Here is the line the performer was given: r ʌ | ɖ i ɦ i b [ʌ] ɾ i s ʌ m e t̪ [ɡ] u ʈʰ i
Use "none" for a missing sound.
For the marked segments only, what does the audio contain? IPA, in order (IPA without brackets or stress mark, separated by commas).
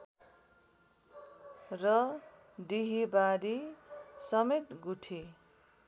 a, ɡ